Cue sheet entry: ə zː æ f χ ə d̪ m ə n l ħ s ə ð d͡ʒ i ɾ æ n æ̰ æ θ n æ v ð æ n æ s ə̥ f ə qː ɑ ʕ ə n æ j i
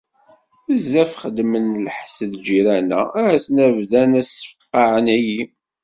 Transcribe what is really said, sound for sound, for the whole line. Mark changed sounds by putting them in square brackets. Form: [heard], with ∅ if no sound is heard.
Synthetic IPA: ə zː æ f χ ə d̪ m ə n l ħ s ə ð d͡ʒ i ɾ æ n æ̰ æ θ n æ v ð æ n æ s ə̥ f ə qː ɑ ʕ ə n æ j i